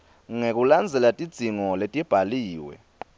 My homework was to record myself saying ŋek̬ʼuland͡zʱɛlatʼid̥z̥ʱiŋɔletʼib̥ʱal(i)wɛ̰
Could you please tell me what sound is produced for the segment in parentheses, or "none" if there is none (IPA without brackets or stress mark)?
iː